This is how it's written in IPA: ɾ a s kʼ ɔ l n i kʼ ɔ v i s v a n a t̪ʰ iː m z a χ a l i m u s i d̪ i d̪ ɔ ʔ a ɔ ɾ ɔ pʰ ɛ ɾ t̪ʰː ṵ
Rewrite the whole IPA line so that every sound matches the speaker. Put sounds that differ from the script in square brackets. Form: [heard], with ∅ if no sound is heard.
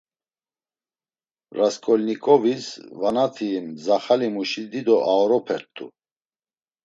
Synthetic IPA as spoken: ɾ a s kʼ ɔ l n i kʼ ɔ v i s v a n a t̪ʰ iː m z a χ a l i m u [ʃ] i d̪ i d̪ ɔ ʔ a ɔ ɾ ɔ pʰ ɛ ɾ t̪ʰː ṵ